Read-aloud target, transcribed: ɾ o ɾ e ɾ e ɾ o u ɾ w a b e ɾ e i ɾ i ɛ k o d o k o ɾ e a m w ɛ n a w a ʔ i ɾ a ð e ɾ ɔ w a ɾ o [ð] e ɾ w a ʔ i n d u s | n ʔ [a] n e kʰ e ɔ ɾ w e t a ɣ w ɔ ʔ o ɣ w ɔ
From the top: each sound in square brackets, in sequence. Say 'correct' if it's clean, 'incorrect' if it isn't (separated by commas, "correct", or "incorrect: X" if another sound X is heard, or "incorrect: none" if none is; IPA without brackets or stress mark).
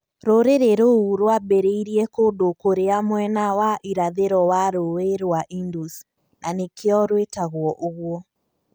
incorrect: none, correct